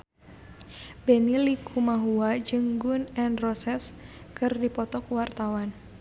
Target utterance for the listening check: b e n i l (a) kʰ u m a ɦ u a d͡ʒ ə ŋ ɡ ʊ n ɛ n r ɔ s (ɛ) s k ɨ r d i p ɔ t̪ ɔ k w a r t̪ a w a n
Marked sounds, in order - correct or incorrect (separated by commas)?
incorrect, correct